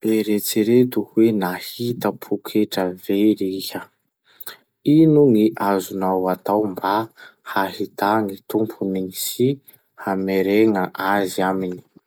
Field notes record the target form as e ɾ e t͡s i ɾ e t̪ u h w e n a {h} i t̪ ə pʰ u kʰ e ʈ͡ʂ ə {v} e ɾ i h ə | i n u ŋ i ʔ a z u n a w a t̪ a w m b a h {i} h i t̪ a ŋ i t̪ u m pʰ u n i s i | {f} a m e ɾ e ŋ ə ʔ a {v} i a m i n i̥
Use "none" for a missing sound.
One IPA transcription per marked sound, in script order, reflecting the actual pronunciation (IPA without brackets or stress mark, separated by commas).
h, v, a, h, z